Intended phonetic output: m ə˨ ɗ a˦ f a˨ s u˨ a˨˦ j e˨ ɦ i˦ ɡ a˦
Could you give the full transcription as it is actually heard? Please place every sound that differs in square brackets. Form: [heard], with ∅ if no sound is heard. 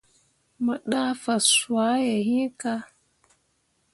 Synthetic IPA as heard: m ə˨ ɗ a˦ f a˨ s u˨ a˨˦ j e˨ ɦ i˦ [k] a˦